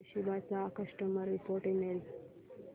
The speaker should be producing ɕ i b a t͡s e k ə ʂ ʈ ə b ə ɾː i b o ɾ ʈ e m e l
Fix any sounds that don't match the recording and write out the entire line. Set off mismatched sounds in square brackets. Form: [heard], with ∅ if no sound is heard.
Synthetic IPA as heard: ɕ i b a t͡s [a] k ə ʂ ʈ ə [m] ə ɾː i [p] o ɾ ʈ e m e l